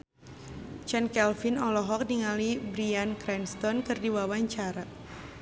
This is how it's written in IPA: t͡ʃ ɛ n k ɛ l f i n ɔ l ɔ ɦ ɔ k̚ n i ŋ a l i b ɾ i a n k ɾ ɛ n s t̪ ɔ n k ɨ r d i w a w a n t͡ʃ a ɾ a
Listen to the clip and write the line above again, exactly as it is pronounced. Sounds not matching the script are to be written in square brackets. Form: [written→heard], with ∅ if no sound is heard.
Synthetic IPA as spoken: t͡ʃ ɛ n k ɛ l f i n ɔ l ɔ ɦ ɔ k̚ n i ŋ a l i b ɾ i a n k ɾ ɛ n s t̪ ɔ n k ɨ r d i w a w a [n→ɲ] t͡ʃ a ɾ a